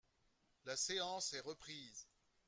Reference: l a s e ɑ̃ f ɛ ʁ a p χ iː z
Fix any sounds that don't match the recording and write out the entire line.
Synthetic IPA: l a s e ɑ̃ s ɛ ʁ ə p χ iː z